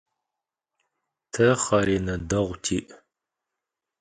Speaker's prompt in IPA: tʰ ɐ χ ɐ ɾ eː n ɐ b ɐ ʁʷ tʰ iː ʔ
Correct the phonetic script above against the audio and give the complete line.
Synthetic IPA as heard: tʰ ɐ χ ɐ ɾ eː n ɐ d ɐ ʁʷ tʰ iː ʔ